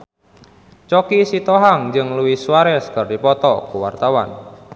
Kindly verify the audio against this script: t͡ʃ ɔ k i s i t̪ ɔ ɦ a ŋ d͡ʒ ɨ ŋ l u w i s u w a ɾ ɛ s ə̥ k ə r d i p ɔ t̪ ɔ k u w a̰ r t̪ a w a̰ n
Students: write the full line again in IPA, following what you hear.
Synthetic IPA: t͡ʃ ɔ k i s i t̪ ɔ ɦ a ŋ d͡ʒ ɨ ŋ l u w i s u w a ɾ ɛ s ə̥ k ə r d i p ɔ t̪ ɔ k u w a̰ r t̪ a w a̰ n